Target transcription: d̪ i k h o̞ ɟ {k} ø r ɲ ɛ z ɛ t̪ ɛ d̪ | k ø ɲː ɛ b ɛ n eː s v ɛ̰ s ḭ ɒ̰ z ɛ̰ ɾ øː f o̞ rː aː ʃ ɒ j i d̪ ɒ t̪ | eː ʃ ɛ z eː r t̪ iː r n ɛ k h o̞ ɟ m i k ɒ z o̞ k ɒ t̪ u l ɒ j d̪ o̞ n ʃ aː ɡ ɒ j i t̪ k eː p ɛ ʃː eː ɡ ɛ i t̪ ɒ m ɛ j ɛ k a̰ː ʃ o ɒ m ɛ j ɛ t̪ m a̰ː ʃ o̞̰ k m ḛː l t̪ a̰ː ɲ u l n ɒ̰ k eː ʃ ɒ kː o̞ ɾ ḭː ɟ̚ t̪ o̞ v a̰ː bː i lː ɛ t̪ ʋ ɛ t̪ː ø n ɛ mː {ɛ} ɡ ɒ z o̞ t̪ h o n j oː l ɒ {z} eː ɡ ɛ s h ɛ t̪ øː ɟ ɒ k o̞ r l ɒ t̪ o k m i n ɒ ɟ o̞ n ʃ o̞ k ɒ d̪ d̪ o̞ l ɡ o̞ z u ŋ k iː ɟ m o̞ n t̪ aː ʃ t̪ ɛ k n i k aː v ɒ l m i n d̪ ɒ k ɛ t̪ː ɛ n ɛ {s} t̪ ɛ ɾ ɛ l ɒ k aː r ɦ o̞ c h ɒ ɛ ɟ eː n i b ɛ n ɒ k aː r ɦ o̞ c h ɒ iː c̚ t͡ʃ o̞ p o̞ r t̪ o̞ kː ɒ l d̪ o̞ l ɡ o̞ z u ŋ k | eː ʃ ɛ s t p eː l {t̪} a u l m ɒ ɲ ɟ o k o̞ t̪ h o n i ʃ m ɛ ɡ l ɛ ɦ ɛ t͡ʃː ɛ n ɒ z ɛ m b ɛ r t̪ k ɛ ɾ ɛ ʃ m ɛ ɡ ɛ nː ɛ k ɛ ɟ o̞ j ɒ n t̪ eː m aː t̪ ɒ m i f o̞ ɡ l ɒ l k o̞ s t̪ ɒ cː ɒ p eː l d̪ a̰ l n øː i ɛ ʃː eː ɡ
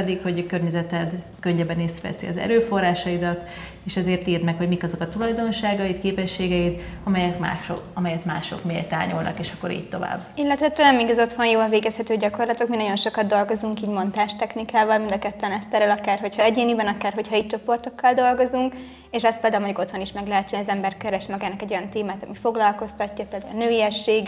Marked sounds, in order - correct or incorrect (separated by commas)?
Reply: correct, incorrect, incorrect, correct, incorrect